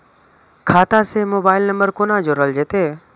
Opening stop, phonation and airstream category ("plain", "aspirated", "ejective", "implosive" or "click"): aspirated